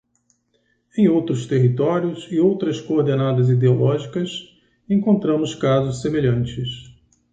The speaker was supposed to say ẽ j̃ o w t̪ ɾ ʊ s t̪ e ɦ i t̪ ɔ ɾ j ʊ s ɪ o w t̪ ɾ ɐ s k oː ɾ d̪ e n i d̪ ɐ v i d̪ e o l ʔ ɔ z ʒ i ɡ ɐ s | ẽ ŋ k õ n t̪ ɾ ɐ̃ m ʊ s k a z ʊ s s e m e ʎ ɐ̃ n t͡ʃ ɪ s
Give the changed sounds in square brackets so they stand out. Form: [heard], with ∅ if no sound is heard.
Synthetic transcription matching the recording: ẽ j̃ o w t̪ ɾ ʊ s t̪ e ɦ i t̪ ɔ ɾ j ʊ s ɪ o w t̪ ɾ ɐ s k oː ɾ d̪ e n [a] d̪ ɐ [z] i d̪ e o l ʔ ɔ [∅] ʒ i [k] ɐ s | ẽ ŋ k õ n t̪ ɾ ɐ̃ m ʊ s k a z ʊ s s e m e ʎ ɐ̃ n t͡ʃ ɪ s